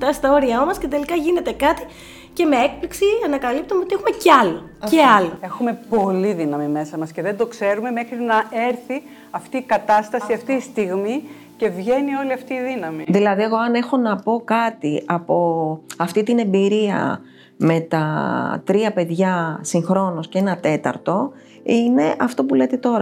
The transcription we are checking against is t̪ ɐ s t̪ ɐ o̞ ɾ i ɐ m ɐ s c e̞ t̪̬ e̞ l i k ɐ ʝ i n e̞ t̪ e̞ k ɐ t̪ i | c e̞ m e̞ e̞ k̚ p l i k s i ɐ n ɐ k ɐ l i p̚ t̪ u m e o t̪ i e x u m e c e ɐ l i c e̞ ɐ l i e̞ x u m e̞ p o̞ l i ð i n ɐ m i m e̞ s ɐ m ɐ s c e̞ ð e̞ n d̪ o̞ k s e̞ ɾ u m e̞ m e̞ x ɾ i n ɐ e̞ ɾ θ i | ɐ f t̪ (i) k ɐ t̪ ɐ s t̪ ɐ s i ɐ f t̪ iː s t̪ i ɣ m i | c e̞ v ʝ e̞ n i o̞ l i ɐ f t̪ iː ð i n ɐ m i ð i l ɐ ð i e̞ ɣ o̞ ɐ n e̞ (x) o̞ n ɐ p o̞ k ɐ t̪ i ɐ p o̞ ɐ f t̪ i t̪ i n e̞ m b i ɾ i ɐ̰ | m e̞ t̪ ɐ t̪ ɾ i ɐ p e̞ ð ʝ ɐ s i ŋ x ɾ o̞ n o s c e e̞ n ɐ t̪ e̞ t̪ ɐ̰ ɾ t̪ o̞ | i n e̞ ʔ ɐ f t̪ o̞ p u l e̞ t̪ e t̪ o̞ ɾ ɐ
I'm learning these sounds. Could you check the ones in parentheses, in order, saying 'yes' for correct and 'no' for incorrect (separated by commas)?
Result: no, yes